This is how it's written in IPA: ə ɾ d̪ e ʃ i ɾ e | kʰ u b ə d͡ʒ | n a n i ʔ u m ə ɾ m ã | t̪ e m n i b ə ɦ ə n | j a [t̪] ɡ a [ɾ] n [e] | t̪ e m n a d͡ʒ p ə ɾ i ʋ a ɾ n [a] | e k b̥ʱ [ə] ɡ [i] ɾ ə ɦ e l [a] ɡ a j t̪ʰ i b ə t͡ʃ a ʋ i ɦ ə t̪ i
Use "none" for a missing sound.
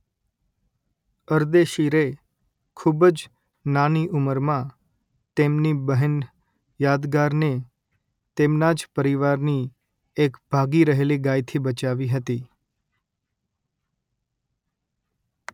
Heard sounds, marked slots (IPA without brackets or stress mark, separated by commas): d̪, ɾ, e, i, a, i, i